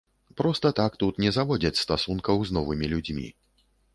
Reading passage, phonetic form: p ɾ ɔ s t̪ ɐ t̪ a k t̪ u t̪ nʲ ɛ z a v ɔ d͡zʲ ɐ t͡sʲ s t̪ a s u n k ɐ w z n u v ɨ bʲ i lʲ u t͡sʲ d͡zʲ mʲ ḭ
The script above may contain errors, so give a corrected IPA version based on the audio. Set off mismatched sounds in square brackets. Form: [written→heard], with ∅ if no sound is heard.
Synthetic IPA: p ɾ ɔ s t̪ ɐ t̪ a k t̪ u t̪ nʲ ɛ z a v ɔ d͡zʲ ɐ t͡sʲ s t̪ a s u n k ɐ w z n [u→ɔ] v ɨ [bʲ→mʲ] i lʲ u [t͡sʲ→∅] d͡zʲ mʲ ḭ